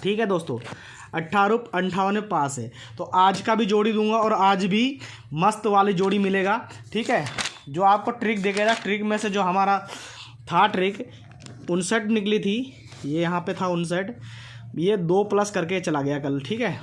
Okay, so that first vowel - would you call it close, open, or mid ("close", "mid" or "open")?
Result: close